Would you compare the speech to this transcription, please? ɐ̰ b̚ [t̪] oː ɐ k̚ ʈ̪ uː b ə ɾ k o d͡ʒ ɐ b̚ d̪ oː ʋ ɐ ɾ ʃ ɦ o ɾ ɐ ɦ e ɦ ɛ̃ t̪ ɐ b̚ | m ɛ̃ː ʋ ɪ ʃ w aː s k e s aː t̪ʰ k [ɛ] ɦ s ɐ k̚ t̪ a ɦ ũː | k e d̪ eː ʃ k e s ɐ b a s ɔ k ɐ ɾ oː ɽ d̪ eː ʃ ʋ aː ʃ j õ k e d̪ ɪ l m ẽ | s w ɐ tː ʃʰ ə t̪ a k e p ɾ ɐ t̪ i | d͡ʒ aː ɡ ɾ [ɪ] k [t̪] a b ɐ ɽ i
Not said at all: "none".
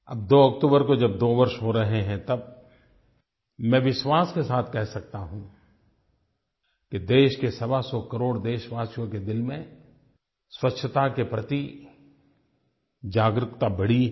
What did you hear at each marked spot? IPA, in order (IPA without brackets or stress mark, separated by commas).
d̪, ɛ, ɪ, t̪